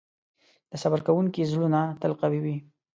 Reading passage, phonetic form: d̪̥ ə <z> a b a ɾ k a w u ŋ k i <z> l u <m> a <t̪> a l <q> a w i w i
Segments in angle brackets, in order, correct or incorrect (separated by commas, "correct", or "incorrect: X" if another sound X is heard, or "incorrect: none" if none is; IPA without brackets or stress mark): incorrect: s, correct, incorrect: n, correct, correct